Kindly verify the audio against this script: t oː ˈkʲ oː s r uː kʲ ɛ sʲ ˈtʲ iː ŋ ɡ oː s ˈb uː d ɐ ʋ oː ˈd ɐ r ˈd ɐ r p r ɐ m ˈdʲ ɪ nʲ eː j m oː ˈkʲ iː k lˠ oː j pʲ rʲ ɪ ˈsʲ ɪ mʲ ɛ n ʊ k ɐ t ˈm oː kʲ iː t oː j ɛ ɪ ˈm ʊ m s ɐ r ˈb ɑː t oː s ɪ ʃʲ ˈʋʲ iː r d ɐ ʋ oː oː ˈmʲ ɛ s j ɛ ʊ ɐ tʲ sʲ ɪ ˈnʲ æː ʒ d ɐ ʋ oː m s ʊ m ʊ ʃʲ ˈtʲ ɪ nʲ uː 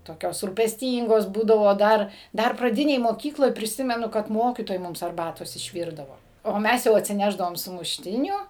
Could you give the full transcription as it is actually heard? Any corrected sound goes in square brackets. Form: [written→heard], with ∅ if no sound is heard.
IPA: t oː ˈkʲ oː s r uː [kʲ→pʲ] ɛ sʲ ˈtʲ iː ŋ ɡ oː s ˈb uː d ɐ ʋ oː ˈd ɐ r ˈd ɐ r p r ɐ [m→∅] ˈdʲ ɪ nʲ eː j m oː ˈkʲ iː k lˠ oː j pʲ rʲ ɪ ˈsʲ ɪ mʲ ɛ n ʊ k ɐ t ˈm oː kʲ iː t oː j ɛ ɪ ˈm ʊ m s ɐ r ˈb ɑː t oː s ɪ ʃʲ ˈʋʲ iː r d ɐ ʋ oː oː ˈmʲ ɛ s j ɛ ʊ ɐ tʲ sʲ ɪ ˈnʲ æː ʒ d ɐ ʋ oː m s ʊ m ʊ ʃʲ ˈtʲ ɪ nʲ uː

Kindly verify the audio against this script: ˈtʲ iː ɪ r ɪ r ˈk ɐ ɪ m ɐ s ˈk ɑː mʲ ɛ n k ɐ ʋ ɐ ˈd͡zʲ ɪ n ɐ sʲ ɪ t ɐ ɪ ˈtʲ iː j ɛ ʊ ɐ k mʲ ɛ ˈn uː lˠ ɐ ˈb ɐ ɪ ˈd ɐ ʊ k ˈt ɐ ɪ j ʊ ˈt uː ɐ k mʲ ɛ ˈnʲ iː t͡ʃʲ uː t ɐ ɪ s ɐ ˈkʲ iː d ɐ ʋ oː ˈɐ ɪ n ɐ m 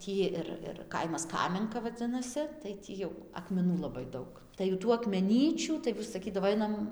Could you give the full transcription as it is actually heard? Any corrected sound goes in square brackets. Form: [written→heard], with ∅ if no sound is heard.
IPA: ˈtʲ iː ɪ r ɪ r ˈk ɐ ɪ m ɐ s ˈk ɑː mʲ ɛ [n→ŋ] k ɐ ʋ ɐ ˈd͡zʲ ɪ n ɐ sʲ ɪ t ɐ ɪ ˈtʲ iː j ɛ ʊ ɐ k mʲ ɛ ˈn uː lˠ ɐ ˈb ɐ ɪ ˈd ɐ ʊ k ˈt ɐ ɪ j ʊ ˈt uː ɐ k mʲ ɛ ˈnʲ iː t͡ʃʲ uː t ɐ ɪ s ɐ ˈkʲ iː d ɐ ʋ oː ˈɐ ɪ n ɐ m

